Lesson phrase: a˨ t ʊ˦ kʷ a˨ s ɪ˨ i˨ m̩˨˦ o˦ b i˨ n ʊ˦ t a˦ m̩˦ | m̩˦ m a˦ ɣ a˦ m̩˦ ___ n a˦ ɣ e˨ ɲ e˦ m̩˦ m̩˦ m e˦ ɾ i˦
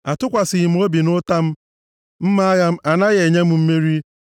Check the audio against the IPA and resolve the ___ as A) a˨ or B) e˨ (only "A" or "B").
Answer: A